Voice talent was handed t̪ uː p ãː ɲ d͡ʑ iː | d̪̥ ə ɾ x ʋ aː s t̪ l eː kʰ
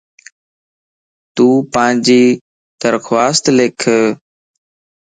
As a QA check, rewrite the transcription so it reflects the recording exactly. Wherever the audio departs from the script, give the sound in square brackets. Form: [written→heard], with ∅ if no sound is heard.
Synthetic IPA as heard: t̪ uː p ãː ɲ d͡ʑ iː | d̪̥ ə ɾ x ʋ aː s t̪ l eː kʰ